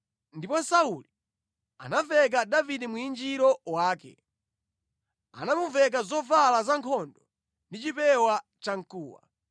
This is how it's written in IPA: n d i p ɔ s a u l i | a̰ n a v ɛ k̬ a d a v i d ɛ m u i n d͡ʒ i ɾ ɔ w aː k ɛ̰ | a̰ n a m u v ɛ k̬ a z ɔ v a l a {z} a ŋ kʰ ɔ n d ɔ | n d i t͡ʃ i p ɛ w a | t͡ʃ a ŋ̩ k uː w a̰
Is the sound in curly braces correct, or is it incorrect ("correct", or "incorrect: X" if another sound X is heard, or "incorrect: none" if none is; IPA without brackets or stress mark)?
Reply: correct